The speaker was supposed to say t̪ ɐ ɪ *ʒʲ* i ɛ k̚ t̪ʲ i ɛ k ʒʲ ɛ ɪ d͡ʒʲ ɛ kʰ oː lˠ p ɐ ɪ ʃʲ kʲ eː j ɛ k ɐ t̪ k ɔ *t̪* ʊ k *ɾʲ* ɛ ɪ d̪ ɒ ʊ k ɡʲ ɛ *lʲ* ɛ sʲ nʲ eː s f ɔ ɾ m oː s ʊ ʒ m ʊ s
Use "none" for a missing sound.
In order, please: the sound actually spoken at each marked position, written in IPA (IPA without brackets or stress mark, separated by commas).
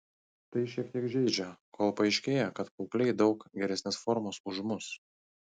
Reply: ʃʲ, none, lʲ, ɾʲ